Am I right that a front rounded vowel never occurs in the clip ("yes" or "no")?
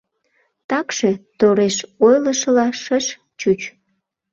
yes